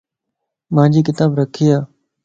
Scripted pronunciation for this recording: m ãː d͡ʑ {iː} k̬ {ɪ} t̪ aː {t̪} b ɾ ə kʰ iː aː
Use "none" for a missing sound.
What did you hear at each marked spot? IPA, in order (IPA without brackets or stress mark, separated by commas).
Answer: iː, ɪ, none